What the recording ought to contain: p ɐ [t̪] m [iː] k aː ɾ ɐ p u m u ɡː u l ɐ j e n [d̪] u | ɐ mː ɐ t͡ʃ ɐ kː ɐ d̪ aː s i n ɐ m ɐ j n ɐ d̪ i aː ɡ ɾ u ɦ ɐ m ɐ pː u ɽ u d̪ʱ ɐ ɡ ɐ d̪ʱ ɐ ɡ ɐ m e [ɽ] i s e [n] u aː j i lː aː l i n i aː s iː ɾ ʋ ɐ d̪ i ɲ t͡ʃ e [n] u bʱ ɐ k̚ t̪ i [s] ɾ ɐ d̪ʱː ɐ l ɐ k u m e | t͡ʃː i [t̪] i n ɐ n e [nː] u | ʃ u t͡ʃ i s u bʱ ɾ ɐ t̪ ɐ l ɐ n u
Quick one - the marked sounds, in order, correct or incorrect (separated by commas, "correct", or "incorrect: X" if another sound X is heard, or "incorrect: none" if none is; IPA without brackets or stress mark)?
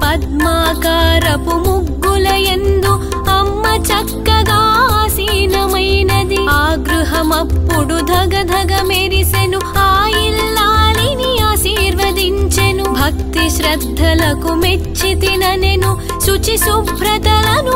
incorrect: d̪, incorrect: aː, correct, incorrect: ɾ, correct, correct, incorrect: ʃ, correct, incorrect: n